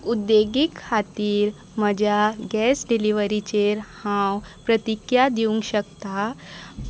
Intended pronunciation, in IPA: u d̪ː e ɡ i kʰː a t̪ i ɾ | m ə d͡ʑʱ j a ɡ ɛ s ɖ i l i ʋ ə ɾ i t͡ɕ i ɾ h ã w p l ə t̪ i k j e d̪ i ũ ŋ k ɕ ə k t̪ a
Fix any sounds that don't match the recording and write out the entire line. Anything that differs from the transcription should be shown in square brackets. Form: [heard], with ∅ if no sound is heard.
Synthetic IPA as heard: u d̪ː e ɡ i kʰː a t̪ [iː] ɾ | m ə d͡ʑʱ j a ɡ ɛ s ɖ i l i ʋ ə ɾ i t͡ɕ [e] ɾ h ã w p [ɾ] ə t̪ i k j [a] d̪ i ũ ŋ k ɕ ə k t̪ a